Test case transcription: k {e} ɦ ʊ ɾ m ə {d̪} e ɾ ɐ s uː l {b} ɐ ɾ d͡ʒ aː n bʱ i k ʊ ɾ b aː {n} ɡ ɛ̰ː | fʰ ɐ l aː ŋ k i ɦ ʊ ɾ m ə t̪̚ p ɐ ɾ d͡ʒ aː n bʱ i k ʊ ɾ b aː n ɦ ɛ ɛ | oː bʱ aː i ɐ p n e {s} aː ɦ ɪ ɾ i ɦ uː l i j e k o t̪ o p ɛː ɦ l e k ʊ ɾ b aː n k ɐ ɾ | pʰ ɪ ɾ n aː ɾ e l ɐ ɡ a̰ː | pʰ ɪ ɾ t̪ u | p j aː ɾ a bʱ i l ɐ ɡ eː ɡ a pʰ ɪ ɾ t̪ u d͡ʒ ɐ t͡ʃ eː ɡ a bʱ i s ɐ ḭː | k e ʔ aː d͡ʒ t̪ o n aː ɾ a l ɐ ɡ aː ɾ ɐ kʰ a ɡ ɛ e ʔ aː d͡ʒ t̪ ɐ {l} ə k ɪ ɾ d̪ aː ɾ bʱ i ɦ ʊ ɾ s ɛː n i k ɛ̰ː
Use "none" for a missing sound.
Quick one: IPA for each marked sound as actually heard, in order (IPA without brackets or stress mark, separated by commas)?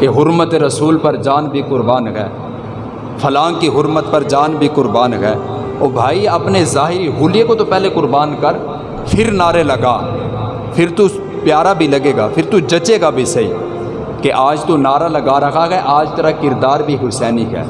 e, t̪, p, n, z, ɾ